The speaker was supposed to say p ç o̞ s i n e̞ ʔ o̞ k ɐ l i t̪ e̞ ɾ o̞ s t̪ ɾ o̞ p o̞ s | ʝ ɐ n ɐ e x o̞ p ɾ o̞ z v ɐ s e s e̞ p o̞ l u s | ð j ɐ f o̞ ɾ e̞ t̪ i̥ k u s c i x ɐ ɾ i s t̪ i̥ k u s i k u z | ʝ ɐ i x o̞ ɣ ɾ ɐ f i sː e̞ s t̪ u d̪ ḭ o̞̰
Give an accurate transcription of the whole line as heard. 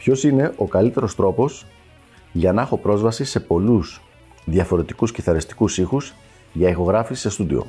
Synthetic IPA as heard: p ç o̞ s i n e̞ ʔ o̞ k ɐ l i t̪ e̞ ɾ o̞ s t̪ ɾ o̞ p o̞ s | ʝ ɐ n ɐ e x o̞ p ɾ o̞ z v ɐ s i s e̞ p o̞ l u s | ð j ɐ f o̞ ɾ e̞ t̪ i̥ k u s c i θ ɐ ɾ i s t̪ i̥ k u s i x u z | ʝ ɐ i x o̞ ɣ ɾ ɐ f i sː e̞ s t̪ u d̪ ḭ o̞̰